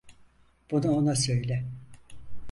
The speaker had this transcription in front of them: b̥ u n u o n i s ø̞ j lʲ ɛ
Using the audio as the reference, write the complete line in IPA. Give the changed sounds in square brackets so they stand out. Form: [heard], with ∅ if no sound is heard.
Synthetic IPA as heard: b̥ u n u o n [a] s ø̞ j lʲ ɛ